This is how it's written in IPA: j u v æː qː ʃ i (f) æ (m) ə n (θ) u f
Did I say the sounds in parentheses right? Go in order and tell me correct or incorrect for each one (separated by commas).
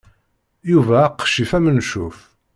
correct, correct, incorrect